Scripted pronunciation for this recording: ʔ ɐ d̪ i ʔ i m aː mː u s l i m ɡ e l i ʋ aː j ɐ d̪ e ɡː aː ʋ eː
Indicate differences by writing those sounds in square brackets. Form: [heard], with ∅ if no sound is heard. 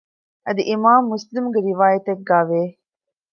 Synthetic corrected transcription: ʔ ɐ d̪ i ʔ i m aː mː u s l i m ɡ e [ɾ] i ʋ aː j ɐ [t̪] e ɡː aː ʋ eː